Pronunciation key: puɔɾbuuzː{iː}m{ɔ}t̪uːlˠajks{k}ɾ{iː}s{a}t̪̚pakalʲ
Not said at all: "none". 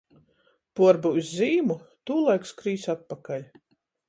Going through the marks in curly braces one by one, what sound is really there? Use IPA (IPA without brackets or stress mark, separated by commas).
iː, u, k, iː, a